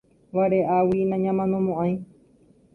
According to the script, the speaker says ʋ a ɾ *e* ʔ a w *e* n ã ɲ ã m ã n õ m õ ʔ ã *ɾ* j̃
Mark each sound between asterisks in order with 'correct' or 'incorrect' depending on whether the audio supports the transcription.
correct, incorrect, incorrect

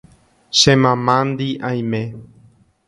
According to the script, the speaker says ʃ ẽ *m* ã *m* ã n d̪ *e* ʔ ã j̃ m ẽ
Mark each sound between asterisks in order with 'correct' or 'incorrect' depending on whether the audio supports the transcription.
correct, correct, incorrect

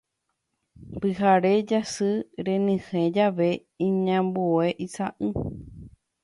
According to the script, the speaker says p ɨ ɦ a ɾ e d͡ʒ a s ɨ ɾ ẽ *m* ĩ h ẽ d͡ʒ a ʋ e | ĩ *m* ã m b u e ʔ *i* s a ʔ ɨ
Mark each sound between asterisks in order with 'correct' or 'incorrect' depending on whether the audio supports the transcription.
incorrect, incorrect, correct

